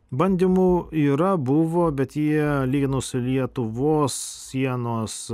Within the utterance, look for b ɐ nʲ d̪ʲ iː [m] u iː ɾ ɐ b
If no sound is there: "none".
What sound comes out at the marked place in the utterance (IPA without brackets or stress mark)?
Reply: m